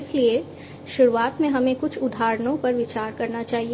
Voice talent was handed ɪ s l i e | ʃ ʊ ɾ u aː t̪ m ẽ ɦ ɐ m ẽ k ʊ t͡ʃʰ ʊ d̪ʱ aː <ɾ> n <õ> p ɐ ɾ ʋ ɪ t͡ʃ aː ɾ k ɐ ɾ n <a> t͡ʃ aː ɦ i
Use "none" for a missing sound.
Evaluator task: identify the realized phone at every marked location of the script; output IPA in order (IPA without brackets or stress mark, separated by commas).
ɾ, õ, a